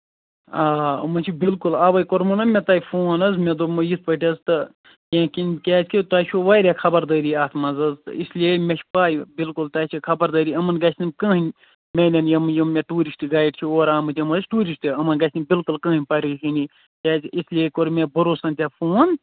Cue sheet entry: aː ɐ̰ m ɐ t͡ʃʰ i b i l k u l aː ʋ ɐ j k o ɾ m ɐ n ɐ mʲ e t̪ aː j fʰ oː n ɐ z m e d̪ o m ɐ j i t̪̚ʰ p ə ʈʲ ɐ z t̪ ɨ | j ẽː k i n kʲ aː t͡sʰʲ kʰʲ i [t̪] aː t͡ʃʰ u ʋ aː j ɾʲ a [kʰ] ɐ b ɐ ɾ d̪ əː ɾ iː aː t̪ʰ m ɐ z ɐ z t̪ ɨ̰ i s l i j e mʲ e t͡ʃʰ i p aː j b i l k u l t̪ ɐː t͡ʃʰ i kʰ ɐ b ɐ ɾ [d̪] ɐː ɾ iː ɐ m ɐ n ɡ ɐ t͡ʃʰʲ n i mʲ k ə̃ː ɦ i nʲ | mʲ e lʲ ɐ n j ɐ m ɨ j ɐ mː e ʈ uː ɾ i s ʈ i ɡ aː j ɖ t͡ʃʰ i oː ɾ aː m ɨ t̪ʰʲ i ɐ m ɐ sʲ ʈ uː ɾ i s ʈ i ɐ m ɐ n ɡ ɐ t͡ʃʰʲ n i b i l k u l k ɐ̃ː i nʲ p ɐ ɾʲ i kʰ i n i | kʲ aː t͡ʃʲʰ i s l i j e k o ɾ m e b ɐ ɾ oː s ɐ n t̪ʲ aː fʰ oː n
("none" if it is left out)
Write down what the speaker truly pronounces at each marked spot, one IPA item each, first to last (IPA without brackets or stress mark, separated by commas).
t̪, kʰ, d̪